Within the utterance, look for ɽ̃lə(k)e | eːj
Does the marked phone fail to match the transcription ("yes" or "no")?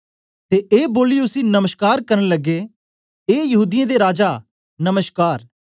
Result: yes